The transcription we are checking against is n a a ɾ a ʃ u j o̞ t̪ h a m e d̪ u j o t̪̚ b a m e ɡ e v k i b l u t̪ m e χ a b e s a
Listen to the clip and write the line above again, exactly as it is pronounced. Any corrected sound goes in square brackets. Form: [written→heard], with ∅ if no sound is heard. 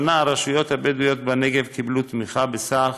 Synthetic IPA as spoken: n a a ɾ a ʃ u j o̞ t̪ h a [m→b] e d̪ u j o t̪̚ b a [m→n] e ɡ e v k i b l u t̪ m [e→i] χ a b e s a